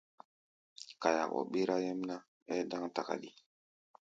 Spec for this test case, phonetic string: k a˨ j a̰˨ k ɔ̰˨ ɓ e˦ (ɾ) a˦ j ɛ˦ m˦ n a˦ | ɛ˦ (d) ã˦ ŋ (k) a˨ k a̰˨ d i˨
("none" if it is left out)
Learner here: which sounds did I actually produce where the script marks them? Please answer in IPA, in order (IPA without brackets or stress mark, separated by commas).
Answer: ɾ, d, t